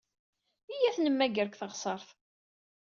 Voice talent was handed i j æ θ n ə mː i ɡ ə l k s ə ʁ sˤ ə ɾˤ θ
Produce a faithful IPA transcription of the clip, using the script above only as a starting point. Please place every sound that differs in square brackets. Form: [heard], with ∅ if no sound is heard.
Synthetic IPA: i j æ θ n ə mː [æ] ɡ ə [ɾ] k [θ] ə ʁ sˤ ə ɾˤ θ